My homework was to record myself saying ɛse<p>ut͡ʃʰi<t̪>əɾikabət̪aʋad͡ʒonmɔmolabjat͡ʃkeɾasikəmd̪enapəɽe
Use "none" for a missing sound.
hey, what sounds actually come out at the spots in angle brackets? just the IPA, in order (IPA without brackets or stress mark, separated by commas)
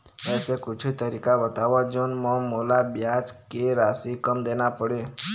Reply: k, t̪